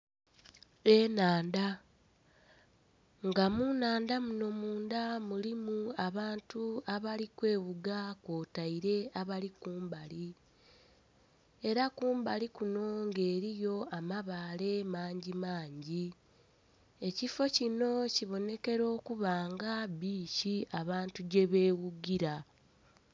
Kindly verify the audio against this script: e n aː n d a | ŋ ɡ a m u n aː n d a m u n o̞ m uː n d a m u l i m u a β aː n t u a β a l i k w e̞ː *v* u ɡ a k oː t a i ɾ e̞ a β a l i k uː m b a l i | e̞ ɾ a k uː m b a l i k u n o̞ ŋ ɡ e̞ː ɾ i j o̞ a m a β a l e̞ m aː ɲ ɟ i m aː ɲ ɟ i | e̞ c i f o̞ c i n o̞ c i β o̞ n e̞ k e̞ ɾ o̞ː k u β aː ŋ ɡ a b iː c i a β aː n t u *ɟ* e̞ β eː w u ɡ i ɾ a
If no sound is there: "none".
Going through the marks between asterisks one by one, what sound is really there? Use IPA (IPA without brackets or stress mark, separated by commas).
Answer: β, ɟ